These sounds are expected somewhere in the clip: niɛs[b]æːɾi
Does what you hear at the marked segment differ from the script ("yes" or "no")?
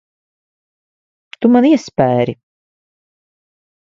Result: yes